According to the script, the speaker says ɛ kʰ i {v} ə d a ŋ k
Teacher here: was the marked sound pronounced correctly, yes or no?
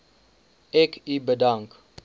no